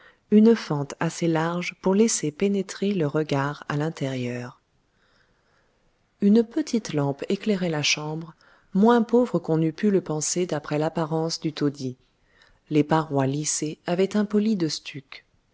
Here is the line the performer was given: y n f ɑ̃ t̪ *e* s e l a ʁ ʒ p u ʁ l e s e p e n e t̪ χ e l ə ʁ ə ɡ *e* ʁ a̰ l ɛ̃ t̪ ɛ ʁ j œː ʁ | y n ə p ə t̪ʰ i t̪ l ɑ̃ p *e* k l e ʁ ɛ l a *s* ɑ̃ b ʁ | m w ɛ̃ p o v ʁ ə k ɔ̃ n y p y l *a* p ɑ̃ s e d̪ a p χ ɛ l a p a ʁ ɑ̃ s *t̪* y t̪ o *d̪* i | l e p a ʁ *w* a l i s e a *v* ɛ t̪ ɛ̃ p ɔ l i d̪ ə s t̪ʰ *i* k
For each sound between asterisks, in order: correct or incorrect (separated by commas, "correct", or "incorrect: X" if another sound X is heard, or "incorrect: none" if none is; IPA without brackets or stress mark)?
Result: incorrect: a, incorrect: a, correct, incorrect: ʃ, incorrect: ə, incorrect: d̪, correct, correct, correct, incorrect: y